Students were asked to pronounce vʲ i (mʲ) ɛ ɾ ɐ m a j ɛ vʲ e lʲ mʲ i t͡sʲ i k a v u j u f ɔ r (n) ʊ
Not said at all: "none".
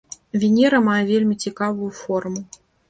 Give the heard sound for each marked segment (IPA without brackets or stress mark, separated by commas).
nʲ, m